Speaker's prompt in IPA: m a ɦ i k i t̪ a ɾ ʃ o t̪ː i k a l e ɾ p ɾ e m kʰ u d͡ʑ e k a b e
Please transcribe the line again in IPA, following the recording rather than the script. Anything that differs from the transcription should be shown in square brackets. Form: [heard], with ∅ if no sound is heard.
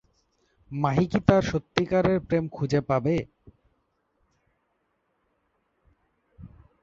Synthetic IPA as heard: m a ɦ i k i t̪ a ɾ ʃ o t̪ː i k a [ɾ] e ɾ p ɾ e m kʰ u d͡ʑ e [p] a b e

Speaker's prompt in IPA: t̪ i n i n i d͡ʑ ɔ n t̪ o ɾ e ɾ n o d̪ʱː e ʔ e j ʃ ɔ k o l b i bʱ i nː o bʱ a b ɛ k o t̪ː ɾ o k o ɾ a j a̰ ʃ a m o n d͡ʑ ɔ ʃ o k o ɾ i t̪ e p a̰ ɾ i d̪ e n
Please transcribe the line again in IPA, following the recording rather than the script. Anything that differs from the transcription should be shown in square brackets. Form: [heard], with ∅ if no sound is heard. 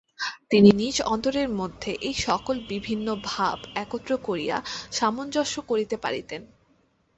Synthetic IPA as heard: t̪ i n i n i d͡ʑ ɔ n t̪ o ɾ e ɾ [m] o d̪ʱː e ʔ e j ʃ ɔ k o l b i bʱ i nː o bʱ a b ɛ k o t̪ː ɾ o k o ɾ [i] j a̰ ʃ a m o n d͡ʑ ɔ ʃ o k o ɾ i t̪ e p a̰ ɾ i [t̪] e n

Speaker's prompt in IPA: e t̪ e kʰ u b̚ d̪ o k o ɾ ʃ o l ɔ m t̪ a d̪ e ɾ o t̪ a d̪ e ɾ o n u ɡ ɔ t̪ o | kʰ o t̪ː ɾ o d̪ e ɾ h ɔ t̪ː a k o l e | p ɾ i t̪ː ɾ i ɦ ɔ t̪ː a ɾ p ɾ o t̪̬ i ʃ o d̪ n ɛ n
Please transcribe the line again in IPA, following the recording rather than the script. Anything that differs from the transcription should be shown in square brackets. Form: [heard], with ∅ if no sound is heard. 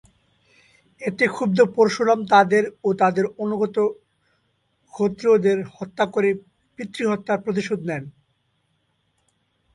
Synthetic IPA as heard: e t̪ e kʰ u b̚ d̪ o [p] o ɾ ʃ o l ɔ m t̪ a d̪ e ɾ o t̪ a d̪ e ɾ o n u ɡ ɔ t̪ o | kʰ o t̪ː ɾ o d̪ e ɾ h ɔ t̪ː a k o [ɾ] e | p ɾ i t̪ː ɾ i ɦ ɔ t̪ː a ɾ p ɾ o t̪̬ i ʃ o d̪ n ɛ n

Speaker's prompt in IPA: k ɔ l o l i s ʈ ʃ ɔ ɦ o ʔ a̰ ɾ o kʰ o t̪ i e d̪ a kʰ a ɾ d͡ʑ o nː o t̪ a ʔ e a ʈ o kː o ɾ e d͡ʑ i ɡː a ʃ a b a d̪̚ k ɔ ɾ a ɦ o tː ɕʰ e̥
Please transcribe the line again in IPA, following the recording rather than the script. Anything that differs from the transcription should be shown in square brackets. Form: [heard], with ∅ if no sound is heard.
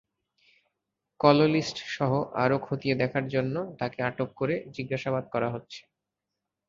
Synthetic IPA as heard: k ɔ l o l i s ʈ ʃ ɔ ɦ o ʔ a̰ ɾ o kʰ o t̪ i e d̪ [ɛ] kʰ a ɾ d͡ʑ o nː o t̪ a [k] e a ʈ o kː o ɾ e d͡ʑ i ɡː a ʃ a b a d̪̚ k ɔ ɾ a ɦ o tː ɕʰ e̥

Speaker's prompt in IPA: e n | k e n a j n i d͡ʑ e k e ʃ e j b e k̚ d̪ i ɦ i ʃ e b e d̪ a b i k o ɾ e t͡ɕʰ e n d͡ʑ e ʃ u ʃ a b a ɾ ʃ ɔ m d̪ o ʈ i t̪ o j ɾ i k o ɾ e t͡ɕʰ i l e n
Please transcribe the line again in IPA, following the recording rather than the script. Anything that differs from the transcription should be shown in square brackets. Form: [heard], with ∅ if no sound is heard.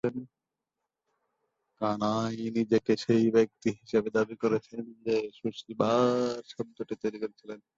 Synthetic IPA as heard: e n | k [a] n a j n i d͡ʑ e k e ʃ e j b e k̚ [t̪] i ɦ i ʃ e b e d̪ a b i k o ɾ e t͡ɕʰ e n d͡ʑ e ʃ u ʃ [i] b a ɾ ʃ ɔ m [t̪] o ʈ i t̪ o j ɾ i k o ɾ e t͡ɕʰ i l e n

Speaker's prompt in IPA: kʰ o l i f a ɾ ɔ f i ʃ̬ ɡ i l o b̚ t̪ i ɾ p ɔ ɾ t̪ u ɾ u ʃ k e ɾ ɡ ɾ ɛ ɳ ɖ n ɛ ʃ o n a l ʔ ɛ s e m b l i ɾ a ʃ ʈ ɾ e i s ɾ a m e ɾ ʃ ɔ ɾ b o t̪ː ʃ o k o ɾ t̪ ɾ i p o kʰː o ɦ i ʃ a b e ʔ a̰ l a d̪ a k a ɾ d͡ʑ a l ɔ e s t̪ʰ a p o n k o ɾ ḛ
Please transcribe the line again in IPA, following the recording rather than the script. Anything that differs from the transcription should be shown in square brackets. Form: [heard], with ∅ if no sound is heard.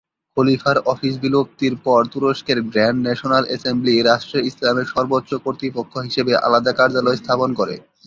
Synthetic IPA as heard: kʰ o l i f a ɾ ɔ f i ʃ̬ [b] i l o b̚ t̪ i ɾ p ɔ ɾ t̪ u ɾ [o] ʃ k e ɾ ɡ ɾ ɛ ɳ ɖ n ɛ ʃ o n a l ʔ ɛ s e m b l i ɾ a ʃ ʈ ɾ e i s [l] a m e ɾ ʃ ɔ ɾ b o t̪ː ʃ o k o ɾ t̪ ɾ i p o kʰː o ɦ i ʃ [e] b e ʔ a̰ l a d̪ a k a ɾ d͡ʑ a l ɔ e s t̪ʰ a p o n k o ɾ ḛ

